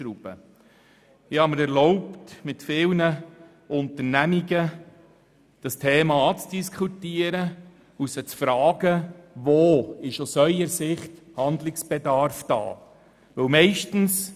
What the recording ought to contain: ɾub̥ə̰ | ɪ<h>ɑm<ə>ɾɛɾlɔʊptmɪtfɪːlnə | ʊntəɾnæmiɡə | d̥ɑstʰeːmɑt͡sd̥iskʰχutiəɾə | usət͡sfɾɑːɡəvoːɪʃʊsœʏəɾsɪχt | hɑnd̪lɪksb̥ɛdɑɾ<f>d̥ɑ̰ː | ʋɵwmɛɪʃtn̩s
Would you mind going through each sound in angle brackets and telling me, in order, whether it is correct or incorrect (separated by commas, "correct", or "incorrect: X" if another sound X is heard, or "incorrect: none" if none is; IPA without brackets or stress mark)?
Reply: correct, correct, correct